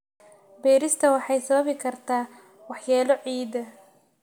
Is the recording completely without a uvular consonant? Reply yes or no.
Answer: yes